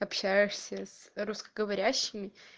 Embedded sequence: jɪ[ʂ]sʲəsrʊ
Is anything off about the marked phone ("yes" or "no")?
no